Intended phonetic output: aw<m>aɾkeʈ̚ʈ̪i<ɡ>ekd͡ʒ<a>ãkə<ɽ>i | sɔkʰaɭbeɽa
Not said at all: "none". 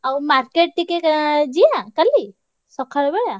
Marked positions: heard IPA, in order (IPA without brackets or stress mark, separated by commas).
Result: m, k, i, l